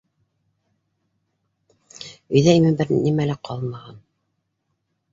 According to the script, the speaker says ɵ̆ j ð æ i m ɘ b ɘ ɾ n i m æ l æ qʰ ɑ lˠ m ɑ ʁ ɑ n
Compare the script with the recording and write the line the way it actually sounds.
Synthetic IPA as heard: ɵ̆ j ð æ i m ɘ b ɘ ɾ n i m æ l æ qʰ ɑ lˠ m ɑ ʁ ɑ n